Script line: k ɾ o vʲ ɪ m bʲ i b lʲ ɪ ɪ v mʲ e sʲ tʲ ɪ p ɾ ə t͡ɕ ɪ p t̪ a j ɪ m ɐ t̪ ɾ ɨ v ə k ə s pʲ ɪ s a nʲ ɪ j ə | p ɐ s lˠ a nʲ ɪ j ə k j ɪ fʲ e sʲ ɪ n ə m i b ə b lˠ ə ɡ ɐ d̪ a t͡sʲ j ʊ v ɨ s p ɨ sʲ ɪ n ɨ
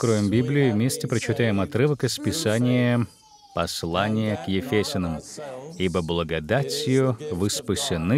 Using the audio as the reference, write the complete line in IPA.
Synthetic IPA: k ɾ o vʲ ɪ m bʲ i b lʲ ɪ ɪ v mʲ e sʲ tʲ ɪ p ɾ ə t͡ɕ ɪ t̪ a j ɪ m ɐ t̪ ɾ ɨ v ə k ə s pʲ ɪ s a nʲ ɪ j ə | p ɐ s lˠ a nʲ ɪ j ə k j ɪ fʲ e sʲ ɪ n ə m i b ə b lˠ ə ɡ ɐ d̪ a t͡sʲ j ʊ v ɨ s p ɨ sʲ ɪ n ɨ